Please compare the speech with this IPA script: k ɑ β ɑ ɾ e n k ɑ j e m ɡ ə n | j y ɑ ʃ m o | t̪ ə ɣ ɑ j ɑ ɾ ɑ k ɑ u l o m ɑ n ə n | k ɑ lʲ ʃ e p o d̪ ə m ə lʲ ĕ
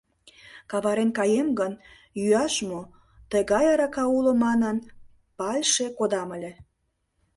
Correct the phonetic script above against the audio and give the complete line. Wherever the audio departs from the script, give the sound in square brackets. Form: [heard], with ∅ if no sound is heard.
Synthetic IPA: k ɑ β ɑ ɾ e n k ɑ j e m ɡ ə n | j y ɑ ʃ m o | t̪ ə ɣ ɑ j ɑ ɾ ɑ k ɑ u l o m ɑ n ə n | [p] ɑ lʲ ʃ e [k] o d̪ [ɑ] m ə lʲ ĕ